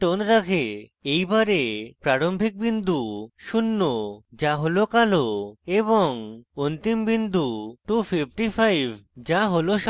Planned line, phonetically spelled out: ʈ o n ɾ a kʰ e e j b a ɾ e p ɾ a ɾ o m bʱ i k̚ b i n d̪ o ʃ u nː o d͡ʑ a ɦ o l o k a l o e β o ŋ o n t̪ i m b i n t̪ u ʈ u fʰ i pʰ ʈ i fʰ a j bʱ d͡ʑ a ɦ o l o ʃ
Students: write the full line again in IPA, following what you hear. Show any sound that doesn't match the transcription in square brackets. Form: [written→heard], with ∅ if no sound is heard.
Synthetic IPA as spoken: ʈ o n ɾ a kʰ e e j b a ɾ e p ɾ a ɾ o m bʱ i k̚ b i n d̪ [o→u] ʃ u nː o d͡ʑ a ɦ o l o k a l o e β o ŋ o n t̪ i m b i n [t̪→d̪] u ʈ u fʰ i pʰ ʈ i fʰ a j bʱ d͡ʑ a ɦ o l o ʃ